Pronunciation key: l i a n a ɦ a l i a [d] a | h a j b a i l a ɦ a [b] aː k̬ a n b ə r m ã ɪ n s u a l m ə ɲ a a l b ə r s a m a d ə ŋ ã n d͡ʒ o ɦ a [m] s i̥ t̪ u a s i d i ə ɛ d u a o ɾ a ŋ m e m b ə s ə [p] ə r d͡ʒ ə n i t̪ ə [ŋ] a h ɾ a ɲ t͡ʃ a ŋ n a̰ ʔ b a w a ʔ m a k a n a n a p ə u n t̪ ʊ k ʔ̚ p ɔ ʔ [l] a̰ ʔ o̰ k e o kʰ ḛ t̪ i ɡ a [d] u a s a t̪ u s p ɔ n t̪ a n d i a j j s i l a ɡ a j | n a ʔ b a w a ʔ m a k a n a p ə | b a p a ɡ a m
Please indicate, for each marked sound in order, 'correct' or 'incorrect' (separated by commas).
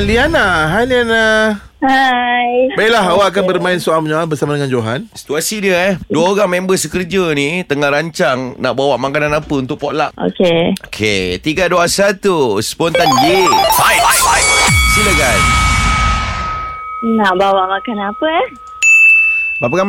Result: incorrect, incorrect, incorrect, incorrect, correct, correct, correct